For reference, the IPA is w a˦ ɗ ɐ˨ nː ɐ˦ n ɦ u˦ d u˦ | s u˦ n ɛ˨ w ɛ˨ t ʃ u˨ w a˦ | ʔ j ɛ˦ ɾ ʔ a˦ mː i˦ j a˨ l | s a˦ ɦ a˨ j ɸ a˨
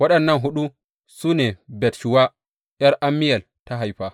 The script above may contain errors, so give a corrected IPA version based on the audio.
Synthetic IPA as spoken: w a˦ ɗ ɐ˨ nː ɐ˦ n ɦ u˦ ɗ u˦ | s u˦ n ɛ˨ b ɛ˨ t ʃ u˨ w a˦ | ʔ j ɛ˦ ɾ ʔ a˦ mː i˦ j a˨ l | t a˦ ɦ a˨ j ɸ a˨